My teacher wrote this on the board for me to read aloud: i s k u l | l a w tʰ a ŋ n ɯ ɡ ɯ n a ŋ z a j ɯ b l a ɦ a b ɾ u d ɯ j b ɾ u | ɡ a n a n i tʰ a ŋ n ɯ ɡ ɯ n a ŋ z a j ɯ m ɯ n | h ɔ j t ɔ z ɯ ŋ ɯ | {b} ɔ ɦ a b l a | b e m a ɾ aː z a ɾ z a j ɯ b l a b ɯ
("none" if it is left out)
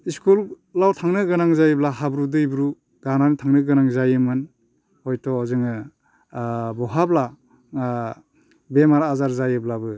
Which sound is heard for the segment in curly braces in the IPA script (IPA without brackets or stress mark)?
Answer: b